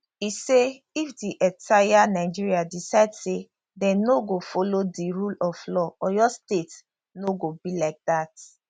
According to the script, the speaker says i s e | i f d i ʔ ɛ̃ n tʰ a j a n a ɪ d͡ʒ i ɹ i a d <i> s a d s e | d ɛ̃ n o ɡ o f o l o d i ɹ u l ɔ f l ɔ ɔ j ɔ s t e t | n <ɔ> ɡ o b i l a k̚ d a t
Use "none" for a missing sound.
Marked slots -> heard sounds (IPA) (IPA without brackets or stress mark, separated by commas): i, o